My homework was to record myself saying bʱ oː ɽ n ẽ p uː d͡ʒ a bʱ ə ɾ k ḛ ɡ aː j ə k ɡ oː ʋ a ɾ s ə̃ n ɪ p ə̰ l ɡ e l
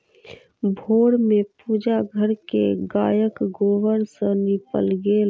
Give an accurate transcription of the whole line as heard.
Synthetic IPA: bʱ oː ɽ m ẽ p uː d͡ʒ a ɡʱ ə ɾ k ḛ ɡ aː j ə k ɡ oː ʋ ə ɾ s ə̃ n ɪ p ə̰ l ɡ e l